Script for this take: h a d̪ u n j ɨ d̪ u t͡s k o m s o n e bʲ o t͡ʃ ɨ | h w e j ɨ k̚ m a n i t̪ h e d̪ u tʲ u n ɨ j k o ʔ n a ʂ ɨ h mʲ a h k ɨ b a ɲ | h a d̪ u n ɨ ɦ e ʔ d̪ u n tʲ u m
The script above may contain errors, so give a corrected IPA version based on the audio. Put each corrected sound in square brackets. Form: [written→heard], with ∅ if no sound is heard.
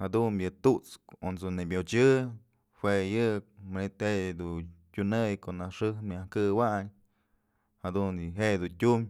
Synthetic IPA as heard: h a d̪ u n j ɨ [d̪→t̪] u t͡s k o [m→n] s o n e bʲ o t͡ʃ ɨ | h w e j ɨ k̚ m a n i t̪ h e d̪ u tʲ u n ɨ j k o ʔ n a ʂ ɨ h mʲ a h k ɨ [b→w] a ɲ | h a d̪ u n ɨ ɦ e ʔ d̪ u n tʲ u m